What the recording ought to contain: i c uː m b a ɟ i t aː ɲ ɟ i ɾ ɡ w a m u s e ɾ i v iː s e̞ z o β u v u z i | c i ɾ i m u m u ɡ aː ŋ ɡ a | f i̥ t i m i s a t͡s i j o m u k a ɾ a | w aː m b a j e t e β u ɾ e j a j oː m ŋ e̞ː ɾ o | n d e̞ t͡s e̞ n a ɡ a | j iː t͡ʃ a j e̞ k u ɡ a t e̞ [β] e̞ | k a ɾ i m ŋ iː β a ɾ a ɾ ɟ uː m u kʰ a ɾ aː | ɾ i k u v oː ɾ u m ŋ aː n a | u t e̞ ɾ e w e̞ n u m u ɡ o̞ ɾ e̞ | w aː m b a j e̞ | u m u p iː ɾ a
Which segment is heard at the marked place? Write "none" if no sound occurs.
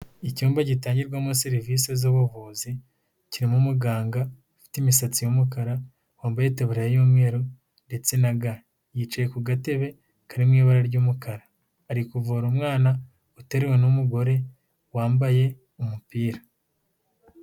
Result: β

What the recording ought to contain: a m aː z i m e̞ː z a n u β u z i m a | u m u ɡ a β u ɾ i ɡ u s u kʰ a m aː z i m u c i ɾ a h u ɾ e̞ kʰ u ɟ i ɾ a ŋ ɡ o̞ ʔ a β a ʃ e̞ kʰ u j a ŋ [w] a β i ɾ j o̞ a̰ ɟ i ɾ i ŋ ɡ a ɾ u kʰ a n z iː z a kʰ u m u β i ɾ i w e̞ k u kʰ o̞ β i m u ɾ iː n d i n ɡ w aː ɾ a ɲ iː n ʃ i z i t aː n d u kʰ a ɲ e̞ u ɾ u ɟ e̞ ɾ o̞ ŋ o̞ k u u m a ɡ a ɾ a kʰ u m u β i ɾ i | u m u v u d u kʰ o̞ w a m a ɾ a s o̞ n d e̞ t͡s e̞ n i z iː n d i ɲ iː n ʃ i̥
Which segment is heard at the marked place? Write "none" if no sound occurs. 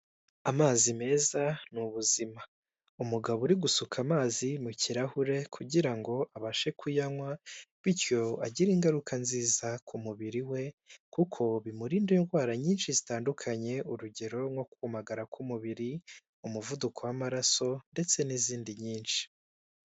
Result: w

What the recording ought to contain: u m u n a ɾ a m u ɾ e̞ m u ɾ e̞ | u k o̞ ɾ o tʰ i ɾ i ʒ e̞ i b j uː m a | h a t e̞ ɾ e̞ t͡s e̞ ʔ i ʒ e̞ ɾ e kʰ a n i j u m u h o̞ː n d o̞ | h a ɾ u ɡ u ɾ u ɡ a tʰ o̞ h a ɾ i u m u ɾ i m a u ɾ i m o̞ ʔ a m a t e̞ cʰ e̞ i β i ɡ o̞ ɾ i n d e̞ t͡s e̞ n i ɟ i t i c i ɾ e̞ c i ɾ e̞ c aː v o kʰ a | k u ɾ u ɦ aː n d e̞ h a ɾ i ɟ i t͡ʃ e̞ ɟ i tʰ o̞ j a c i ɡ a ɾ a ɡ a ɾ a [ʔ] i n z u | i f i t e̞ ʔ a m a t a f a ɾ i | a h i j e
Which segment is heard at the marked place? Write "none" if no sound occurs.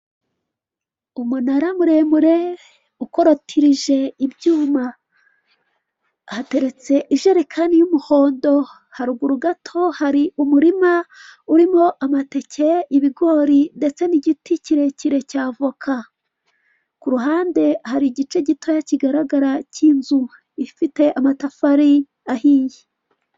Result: c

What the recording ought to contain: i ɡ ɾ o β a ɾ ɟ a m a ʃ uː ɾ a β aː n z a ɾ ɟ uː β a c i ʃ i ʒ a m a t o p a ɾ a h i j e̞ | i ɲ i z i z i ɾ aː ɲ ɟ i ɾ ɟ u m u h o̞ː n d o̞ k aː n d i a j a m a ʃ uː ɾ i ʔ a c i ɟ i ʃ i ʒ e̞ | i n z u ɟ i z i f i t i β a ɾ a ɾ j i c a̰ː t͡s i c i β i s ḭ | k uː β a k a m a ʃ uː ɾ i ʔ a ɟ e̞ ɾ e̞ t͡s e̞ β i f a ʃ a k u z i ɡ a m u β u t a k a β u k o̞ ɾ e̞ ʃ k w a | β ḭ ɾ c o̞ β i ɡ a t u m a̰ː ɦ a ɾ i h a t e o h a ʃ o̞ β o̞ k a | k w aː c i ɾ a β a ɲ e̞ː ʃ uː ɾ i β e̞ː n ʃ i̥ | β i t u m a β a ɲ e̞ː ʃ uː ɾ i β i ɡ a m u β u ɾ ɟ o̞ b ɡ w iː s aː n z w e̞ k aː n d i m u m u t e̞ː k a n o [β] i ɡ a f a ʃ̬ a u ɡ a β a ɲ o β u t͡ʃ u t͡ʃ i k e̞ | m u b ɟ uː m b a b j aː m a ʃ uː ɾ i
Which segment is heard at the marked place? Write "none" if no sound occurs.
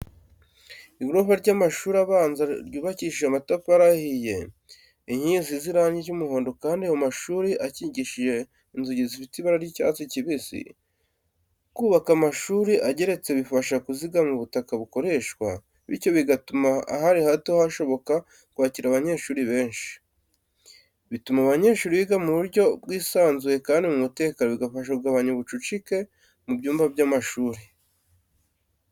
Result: β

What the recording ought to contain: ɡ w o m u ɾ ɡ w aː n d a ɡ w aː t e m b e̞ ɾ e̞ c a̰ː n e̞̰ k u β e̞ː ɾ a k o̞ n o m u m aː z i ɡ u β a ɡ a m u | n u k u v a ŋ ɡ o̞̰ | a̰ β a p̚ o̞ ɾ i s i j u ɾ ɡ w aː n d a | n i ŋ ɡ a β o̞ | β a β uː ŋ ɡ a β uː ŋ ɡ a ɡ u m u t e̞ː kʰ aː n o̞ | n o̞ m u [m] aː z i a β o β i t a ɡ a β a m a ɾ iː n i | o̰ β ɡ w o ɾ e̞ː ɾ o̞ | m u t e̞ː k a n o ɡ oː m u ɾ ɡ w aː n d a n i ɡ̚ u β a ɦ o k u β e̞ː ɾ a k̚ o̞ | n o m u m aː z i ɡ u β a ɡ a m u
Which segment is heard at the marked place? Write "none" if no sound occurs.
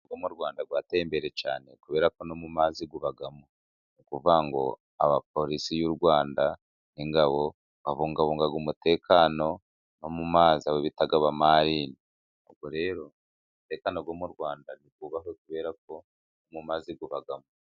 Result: m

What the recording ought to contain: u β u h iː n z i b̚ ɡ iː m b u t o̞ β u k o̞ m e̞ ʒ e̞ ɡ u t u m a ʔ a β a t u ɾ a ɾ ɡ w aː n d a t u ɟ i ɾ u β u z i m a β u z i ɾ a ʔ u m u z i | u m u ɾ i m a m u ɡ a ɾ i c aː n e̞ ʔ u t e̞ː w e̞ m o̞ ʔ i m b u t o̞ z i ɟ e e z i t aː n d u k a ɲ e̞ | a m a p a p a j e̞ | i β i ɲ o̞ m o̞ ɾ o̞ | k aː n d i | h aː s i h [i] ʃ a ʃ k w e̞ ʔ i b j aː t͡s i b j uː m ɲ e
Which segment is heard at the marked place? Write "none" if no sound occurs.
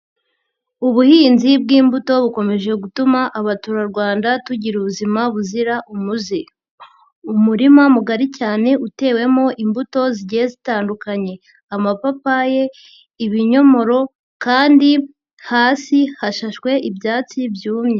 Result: a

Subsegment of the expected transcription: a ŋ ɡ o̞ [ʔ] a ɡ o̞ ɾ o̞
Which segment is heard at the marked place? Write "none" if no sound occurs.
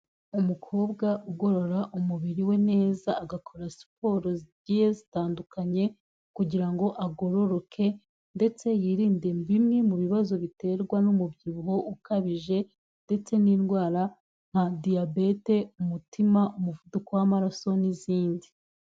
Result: ʔ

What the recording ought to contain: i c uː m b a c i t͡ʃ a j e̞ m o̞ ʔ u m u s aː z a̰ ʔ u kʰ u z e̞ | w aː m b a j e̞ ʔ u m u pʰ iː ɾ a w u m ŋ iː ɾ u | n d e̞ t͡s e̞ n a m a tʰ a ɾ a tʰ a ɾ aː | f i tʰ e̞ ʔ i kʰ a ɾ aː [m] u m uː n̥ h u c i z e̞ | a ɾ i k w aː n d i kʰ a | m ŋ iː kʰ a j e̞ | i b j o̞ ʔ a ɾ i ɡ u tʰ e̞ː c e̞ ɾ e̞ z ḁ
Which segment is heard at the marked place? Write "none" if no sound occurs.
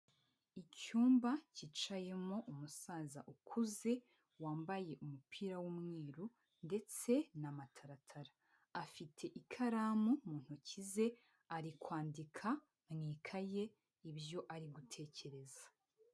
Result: m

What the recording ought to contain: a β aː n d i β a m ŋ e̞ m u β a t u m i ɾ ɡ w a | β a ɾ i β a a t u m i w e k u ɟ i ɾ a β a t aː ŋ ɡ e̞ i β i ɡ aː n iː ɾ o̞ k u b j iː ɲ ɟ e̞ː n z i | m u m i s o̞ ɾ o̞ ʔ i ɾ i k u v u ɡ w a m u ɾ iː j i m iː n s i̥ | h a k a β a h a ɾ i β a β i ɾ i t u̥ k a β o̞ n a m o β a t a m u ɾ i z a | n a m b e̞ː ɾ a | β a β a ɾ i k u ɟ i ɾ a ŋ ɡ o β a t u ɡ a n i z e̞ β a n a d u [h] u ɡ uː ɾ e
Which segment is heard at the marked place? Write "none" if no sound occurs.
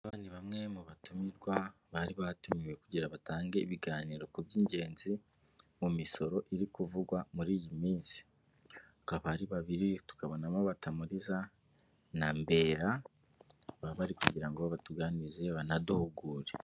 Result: h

